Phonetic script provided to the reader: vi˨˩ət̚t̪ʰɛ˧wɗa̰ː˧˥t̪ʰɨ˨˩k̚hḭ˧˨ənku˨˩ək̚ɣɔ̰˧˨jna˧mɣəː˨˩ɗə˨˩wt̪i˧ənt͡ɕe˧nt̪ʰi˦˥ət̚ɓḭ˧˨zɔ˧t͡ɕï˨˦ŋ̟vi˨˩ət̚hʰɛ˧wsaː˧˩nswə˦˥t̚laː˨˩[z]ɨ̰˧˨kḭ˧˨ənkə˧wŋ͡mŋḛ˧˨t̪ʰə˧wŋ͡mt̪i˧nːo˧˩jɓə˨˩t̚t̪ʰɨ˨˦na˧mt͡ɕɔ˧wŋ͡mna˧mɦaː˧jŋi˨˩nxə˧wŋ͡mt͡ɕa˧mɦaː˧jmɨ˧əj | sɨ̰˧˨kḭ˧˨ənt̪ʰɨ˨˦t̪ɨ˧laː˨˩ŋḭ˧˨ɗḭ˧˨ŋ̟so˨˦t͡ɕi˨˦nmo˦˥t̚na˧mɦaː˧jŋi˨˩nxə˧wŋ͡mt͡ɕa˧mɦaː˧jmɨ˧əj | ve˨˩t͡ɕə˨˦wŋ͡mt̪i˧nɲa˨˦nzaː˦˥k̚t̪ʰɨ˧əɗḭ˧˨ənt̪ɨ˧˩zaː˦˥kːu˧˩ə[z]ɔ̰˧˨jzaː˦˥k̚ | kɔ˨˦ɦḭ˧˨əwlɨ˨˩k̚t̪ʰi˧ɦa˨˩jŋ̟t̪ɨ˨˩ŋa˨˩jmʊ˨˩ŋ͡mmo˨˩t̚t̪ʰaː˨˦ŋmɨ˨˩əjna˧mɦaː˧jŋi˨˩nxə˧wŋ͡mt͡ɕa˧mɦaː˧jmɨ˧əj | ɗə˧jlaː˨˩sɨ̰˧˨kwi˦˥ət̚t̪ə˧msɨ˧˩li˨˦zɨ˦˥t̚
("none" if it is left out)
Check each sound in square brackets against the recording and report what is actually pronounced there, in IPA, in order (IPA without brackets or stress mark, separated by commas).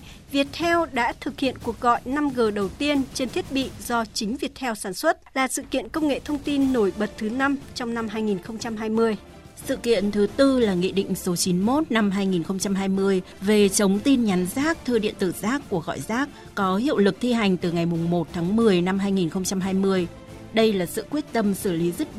s, ɣ